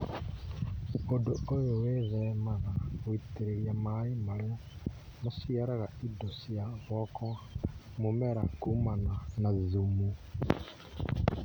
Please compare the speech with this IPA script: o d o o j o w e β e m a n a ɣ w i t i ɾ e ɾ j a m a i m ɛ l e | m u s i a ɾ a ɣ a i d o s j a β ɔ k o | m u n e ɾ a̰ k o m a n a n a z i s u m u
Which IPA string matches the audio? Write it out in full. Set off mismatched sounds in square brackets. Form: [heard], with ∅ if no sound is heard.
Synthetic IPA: o d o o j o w e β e m a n a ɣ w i t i ɾ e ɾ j a m a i m [a] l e | m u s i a ɾ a ɣ a i d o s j a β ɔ k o | m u [m] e ɾ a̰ k [u] m a n a n a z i [z] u m u